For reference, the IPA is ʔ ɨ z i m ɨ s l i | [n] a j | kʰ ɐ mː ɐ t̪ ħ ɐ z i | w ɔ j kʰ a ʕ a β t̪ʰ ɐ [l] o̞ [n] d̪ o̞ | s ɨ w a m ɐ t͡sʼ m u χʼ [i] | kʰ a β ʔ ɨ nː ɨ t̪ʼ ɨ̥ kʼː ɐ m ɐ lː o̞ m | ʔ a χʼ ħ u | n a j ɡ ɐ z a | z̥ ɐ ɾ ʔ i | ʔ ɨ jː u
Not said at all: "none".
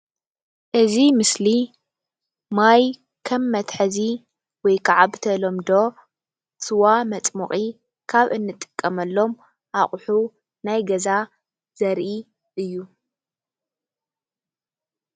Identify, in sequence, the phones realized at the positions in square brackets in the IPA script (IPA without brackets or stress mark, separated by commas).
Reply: m, l, m, i